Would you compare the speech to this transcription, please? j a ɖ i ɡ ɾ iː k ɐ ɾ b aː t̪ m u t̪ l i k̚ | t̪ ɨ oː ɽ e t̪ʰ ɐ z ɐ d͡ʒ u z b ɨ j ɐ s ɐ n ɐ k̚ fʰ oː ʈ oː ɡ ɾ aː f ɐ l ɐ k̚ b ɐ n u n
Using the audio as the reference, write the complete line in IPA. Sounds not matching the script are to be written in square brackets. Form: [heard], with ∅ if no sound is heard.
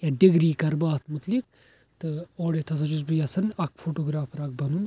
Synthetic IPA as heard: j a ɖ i ɡ ɾ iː k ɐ ɾ b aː t̪ m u t̪ l i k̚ | t̪ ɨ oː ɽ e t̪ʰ ɐ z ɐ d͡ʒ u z b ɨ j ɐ s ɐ n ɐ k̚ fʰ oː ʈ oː ɡ ɾ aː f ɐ [ɾ] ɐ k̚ b ɐ n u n